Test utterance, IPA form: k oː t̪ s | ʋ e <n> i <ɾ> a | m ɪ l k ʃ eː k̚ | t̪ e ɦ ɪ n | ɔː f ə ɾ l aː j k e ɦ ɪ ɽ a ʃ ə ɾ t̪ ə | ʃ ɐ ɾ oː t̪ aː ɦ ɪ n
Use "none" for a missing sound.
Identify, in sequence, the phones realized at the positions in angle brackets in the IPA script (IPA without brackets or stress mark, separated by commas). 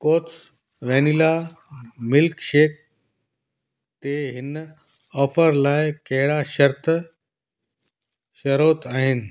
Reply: n, l